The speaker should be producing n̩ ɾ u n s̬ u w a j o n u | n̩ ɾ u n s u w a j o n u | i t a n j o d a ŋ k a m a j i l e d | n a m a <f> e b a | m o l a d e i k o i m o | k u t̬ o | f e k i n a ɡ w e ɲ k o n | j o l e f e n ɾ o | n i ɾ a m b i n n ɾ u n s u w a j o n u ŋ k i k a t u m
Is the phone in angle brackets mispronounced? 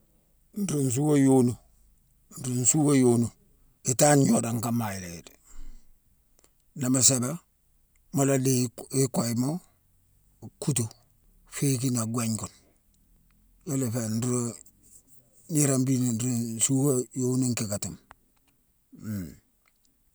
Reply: yes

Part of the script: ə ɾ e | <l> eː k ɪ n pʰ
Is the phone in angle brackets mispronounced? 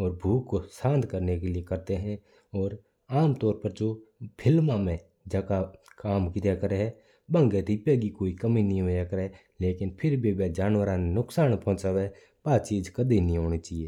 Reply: no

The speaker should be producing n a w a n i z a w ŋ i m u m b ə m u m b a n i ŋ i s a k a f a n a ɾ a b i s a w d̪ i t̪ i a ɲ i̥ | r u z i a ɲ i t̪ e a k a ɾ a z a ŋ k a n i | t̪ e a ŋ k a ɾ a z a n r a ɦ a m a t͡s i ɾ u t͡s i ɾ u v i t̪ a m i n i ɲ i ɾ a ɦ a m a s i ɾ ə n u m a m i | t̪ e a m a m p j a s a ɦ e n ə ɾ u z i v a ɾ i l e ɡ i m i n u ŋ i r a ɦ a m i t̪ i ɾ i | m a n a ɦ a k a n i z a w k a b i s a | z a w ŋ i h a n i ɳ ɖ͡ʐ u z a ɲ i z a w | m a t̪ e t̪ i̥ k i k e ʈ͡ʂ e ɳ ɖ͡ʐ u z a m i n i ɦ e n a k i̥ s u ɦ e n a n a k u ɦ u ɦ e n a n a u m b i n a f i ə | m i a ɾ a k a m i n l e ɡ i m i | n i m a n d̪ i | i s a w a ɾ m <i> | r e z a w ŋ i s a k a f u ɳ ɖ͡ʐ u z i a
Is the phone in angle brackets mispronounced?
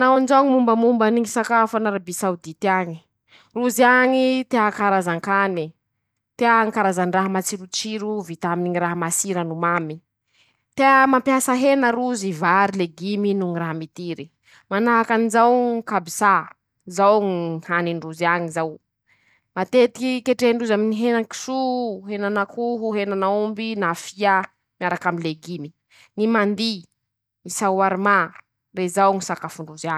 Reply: yes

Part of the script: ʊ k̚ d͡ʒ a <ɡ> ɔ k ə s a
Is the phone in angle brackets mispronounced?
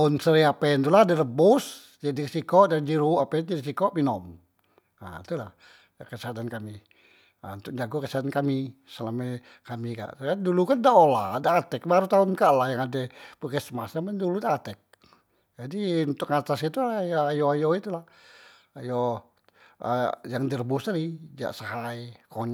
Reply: no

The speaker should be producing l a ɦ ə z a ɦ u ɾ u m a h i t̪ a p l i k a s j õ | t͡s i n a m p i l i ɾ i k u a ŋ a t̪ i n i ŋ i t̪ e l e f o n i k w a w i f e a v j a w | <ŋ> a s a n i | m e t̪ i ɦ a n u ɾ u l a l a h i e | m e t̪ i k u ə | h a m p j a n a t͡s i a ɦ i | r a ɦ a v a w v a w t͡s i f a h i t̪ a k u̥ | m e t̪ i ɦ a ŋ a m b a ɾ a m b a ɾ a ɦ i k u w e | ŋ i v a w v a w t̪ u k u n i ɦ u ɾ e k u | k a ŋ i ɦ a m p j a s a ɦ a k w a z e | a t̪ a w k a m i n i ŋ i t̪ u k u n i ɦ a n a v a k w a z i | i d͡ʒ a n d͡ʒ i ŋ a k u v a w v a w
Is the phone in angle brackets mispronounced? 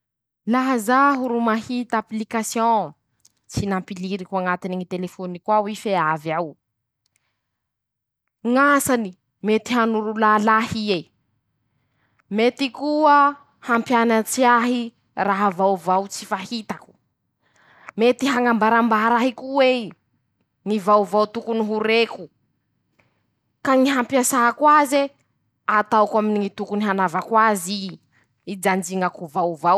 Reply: no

